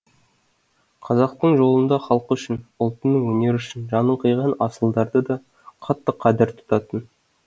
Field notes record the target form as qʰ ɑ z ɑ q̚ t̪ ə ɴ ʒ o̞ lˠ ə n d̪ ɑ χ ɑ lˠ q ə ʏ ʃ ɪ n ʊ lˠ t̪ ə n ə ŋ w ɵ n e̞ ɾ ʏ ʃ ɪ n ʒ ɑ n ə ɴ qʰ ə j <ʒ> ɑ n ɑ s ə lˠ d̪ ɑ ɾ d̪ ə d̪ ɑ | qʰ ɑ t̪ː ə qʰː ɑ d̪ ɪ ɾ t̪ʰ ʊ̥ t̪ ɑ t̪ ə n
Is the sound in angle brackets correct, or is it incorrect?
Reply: incorrect